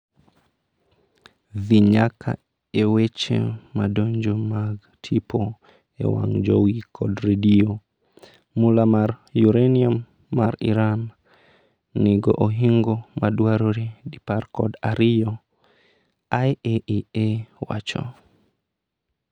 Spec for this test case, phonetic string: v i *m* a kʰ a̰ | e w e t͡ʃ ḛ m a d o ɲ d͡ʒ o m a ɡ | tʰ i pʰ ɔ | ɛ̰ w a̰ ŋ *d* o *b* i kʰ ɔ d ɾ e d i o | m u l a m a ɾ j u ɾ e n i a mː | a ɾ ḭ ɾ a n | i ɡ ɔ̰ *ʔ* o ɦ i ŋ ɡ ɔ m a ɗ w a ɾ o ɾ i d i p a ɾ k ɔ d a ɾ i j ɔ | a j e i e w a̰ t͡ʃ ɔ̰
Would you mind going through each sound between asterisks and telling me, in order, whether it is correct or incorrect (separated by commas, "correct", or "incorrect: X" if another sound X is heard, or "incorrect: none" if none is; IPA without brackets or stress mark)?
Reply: incorrect: ɲ, incorrect: d͡ʒ, incorrect: w, correct